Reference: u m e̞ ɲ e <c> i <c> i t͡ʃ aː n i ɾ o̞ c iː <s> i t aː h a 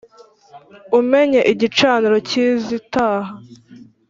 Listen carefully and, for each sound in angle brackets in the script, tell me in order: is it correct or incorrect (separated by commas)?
incorrect, incorrect, incorrect